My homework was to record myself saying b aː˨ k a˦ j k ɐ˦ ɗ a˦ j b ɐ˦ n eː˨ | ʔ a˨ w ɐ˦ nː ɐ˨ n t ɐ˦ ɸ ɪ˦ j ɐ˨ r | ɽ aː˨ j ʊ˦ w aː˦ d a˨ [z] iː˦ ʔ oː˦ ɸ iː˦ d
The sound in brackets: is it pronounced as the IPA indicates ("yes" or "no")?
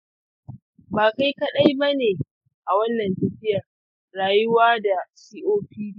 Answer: no